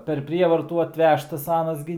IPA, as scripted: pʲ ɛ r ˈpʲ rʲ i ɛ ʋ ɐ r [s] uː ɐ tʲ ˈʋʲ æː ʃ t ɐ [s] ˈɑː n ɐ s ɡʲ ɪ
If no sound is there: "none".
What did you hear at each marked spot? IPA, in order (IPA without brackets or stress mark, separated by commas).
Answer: t, s